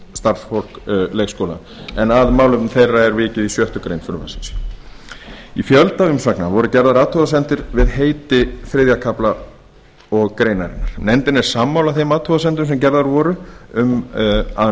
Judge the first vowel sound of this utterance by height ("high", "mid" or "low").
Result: low